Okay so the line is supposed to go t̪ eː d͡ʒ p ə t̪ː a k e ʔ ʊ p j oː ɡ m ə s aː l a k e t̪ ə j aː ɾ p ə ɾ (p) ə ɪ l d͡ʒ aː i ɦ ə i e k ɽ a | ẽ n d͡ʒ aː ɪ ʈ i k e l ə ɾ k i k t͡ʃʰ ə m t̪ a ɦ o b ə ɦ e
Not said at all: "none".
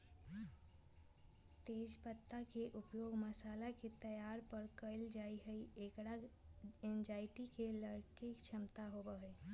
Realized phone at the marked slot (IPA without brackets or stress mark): k